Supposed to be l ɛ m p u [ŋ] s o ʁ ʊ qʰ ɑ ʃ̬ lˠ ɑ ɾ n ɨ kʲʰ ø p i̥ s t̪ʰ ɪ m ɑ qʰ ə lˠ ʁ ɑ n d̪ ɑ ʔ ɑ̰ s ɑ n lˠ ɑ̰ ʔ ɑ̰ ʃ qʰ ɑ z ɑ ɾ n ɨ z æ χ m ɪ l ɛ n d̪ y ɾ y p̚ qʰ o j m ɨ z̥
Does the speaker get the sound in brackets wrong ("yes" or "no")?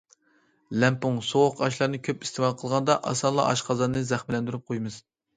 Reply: no